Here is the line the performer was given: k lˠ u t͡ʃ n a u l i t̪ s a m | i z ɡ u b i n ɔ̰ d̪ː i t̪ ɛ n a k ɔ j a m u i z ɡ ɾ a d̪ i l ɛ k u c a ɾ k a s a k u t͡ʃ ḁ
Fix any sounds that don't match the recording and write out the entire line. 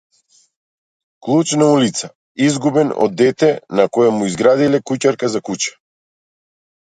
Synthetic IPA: k lˠ u t͡ʃ n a u l i t̪ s a | i z ɡ u b ɛ n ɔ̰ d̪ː ɛ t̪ ɛ n a k ɔ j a m u i z ɡ ɾ a d̪ i l ɛ k u c a ɾ k a z a k u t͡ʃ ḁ